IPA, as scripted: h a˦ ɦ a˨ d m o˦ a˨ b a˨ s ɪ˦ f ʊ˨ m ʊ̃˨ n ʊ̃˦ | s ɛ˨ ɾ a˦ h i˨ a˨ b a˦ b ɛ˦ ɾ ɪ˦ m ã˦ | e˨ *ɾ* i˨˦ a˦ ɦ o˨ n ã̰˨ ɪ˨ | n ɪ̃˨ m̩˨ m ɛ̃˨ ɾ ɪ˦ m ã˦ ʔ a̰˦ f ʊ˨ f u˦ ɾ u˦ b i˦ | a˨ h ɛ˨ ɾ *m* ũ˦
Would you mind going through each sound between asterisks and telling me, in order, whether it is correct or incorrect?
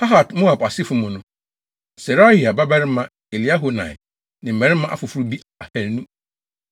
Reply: incorrect: l, incorrect: n

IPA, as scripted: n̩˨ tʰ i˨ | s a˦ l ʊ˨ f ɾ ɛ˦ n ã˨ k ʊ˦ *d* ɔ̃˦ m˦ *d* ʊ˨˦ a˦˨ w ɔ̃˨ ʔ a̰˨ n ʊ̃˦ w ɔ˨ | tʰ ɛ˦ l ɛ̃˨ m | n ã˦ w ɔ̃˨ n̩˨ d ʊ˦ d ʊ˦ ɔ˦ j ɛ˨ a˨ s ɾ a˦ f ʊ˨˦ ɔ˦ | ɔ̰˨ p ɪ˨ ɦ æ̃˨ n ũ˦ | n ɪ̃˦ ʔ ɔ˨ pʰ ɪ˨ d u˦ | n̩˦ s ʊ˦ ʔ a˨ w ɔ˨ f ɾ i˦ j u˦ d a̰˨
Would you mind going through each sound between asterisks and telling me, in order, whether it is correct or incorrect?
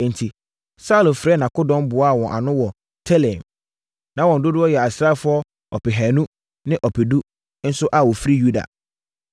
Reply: correct, incorrect: b

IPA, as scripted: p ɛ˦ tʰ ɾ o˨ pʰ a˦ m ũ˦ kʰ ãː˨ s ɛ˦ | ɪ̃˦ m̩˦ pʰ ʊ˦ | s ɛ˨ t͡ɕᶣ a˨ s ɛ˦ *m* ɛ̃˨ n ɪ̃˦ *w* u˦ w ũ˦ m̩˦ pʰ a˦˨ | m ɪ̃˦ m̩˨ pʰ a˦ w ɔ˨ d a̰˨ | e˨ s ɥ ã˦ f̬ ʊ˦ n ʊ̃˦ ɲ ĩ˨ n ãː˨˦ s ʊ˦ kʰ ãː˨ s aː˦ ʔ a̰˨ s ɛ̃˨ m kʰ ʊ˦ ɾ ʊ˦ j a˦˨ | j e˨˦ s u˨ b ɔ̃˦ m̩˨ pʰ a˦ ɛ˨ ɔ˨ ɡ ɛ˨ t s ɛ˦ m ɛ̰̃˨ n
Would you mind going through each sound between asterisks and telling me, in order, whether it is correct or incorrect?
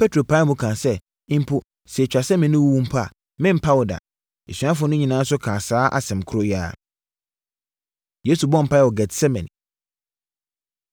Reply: correct, correct

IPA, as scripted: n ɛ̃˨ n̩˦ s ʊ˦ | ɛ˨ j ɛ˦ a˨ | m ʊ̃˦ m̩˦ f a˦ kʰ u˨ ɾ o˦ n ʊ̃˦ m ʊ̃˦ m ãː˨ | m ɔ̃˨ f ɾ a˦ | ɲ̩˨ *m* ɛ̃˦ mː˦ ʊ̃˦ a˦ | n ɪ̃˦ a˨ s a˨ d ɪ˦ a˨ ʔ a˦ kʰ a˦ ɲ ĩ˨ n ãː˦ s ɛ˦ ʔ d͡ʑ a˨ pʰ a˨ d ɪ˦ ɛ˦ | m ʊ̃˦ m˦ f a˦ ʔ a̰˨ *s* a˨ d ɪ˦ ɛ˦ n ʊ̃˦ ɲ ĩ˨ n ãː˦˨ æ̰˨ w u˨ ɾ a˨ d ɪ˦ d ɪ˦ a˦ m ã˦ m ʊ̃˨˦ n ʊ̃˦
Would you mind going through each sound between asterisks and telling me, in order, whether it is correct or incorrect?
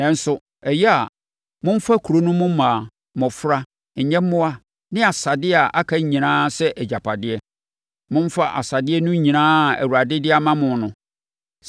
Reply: incorrect: ɲ, correct

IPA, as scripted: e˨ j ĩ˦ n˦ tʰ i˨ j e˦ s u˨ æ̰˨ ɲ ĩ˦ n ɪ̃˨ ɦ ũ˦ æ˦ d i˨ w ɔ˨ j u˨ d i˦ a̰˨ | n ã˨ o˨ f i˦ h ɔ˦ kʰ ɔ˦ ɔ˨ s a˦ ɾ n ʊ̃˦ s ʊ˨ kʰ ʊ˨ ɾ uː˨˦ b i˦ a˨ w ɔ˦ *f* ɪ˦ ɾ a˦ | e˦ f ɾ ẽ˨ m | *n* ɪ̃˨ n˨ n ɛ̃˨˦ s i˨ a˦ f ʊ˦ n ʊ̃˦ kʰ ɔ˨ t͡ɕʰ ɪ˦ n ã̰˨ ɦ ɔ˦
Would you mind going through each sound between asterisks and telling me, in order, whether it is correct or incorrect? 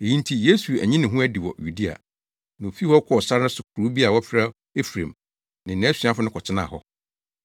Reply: correct, correct

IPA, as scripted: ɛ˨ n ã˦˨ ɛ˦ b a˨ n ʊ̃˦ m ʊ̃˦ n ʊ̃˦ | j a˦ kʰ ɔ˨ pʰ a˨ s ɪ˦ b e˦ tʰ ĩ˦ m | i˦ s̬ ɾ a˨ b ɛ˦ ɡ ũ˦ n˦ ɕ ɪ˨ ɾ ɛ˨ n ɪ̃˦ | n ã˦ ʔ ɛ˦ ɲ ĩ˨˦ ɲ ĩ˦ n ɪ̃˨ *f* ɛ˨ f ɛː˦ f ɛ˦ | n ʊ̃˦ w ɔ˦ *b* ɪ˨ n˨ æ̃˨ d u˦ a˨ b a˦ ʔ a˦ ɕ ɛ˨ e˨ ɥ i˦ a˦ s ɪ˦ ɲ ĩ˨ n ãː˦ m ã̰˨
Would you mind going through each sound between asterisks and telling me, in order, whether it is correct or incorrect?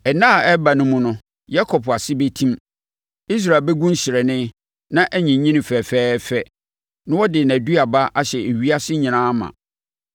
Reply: correct, incorrect: d

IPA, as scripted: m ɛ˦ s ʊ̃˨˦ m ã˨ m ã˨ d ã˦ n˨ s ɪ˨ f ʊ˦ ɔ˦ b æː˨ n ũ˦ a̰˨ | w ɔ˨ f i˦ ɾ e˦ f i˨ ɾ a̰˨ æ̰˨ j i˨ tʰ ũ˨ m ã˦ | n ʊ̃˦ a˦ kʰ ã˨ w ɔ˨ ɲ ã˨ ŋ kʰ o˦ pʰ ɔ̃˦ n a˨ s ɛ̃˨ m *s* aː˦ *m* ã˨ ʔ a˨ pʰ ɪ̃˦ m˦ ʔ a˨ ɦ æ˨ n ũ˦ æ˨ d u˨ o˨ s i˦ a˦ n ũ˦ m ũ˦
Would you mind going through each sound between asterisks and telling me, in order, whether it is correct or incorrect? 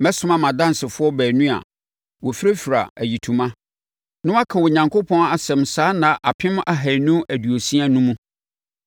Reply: correct, incorrect: n

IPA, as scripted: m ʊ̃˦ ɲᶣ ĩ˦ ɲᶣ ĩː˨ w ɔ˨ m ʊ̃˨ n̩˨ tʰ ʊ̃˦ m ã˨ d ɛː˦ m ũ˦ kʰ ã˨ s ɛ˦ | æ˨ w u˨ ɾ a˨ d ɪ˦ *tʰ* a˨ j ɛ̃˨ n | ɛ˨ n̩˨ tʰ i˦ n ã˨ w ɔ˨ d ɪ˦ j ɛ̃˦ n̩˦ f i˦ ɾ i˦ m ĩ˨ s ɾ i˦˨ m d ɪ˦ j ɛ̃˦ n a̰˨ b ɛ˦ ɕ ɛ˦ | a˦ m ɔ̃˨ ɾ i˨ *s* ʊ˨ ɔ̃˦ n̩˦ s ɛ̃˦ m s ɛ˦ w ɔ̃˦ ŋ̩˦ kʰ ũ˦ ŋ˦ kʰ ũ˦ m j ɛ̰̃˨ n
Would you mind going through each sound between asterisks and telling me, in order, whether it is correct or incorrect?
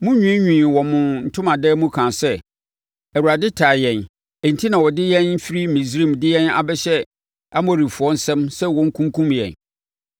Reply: correct, incorrect: f

